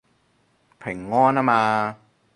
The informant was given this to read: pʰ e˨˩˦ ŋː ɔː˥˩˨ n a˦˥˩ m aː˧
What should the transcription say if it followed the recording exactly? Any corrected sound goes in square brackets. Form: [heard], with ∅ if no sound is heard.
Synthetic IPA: pʰ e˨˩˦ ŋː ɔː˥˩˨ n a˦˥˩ m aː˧

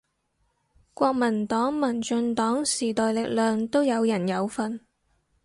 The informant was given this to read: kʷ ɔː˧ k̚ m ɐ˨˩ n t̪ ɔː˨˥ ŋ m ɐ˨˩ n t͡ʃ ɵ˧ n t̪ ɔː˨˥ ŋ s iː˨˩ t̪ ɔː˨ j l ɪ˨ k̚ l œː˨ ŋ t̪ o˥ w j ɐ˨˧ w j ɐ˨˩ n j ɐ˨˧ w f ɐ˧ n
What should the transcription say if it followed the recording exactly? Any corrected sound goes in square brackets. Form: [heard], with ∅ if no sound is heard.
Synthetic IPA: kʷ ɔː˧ k̚ m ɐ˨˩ n t̪ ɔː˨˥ ŋ m ɐ˨˩ n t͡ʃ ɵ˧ n t̪ ɔː˨˥ ŋ s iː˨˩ t̪ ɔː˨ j l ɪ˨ k̚ l œː˨ ŋ t̪ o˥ w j ɐ˨˧ w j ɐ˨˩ n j ɐ˨˧ w f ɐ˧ n

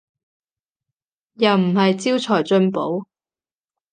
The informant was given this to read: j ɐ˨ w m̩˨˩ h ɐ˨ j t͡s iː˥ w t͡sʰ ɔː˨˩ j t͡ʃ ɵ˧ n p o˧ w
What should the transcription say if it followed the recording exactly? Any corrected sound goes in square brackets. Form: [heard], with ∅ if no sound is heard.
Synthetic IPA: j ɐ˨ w m̩˨˩ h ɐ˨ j t͡s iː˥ w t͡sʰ ɔː˨˩ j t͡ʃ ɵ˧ n p [o˨˥] w

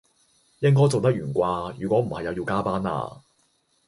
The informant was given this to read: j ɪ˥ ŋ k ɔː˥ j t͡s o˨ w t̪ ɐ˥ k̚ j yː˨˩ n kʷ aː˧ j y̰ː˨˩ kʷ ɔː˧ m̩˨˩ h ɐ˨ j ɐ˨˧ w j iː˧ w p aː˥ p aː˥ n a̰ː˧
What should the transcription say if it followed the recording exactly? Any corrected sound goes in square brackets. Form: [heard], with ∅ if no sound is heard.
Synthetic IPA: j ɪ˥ ŋ k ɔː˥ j t͡s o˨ w t̪ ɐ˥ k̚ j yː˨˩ n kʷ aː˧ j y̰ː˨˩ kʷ [ɔː˨˥] m̩˨˩ h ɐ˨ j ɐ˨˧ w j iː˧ w [k] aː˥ p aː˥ n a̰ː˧

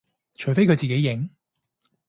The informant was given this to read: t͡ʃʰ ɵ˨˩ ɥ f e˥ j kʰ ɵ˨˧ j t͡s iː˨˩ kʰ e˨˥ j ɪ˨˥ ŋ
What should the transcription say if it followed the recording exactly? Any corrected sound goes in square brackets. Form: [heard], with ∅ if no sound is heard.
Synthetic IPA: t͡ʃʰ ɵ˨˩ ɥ f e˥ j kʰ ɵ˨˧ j t͡s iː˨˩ [k] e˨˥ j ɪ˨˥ ŋ

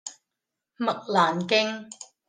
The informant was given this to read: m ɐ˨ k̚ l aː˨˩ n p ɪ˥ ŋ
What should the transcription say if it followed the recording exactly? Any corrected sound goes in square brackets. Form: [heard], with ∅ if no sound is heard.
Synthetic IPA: m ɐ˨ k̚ l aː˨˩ n [k] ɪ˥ ŋ

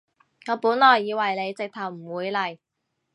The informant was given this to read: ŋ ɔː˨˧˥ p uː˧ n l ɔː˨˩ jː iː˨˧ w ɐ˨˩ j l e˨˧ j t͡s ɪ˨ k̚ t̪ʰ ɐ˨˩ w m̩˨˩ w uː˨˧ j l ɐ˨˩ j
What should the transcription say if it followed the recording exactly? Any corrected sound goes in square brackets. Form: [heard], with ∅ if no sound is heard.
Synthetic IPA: ŋ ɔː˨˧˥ p [uː˨˥] n l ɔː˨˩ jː iː˨˧ w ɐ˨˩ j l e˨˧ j t͡s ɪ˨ k̚ t̪ʰ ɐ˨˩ w m̩˨˩ w uː˨˧ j l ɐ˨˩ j

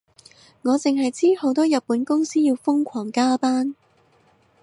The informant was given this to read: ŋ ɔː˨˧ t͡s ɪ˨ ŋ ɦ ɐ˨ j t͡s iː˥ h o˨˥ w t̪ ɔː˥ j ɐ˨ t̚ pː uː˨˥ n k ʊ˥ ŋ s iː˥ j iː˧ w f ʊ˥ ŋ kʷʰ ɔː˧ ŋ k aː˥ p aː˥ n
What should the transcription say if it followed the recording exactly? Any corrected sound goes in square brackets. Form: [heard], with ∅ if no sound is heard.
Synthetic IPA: ŋ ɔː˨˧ t͡s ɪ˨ ŋ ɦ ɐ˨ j t͡s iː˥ h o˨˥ w t̪ ɔː˥ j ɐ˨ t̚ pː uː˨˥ n k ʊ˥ ŋ s iː˥ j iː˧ w f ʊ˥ ŋ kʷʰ [ɔː˨˩] ŋ k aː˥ p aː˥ n

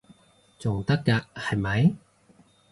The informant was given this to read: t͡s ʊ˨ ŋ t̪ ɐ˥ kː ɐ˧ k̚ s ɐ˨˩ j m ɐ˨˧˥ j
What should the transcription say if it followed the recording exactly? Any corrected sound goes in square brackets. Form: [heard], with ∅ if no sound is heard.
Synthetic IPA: t͡s ʊ˨ ŋ t̪ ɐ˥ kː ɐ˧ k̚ [h] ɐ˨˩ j m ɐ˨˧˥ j

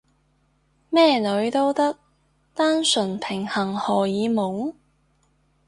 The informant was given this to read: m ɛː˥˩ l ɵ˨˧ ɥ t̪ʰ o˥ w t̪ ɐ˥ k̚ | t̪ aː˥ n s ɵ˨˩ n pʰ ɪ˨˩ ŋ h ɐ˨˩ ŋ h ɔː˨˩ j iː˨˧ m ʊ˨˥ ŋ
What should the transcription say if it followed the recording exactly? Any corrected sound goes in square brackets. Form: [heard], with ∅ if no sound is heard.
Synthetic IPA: m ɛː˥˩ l ɵ˨˧ ɥ [t̪] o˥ w t̪ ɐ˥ k̚ | t̪ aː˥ n s ɵ˨˩ n pʰ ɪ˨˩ ŋ h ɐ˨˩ ŋ h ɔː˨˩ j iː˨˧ m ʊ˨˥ ŋ

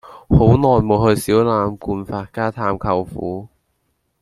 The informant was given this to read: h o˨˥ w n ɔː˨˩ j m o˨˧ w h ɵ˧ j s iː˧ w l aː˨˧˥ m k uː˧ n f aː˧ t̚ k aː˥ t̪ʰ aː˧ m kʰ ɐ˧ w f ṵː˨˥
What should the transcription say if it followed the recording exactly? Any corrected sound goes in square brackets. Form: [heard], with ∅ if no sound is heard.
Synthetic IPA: h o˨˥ w n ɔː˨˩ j m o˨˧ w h ɵ˧ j s [iː˨˥] w l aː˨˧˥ m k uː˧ n f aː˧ t̚ k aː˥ t̪ʰ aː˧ m kʰ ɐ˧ w f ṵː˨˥

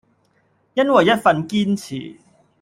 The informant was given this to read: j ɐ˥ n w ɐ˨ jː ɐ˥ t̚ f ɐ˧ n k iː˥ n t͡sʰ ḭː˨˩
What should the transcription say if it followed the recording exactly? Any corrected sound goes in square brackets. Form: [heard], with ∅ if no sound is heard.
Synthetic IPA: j ɐ˥ n w ɐ˨ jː ɐ˥ t̚ f ɐ˧ n k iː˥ n t͡sʰ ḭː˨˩

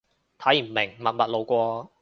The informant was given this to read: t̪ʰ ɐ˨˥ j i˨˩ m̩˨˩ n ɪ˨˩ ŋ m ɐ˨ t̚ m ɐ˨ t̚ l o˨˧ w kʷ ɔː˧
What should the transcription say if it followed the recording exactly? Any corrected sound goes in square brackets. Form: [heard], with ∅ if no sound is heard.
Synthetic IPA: t̪ʰ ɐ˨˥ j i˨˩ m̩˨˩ [m] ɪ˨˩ ŋ m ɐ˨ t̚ m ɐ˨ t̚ l o˨˧ w kʷ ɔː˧

